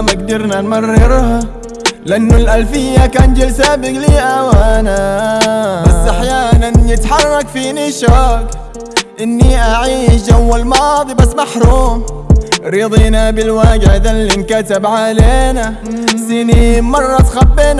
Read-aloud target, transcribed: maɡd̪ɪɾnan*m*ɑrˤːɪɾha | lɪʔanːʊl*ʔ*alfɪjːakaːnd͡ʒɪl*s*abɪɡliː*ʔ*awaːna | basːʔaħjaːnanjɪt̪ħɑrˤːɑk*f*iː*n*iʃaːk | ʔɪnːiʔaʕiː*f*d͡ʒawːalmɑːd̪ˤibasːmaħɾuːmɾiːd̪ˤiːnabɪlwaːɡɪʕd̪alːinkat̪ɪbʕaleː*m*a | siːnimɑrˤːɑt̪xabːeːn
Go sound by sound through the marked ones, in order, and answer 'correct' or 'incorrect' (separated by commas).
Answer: correct, correct, correct, correct, correct, correct, incorrect, incorrect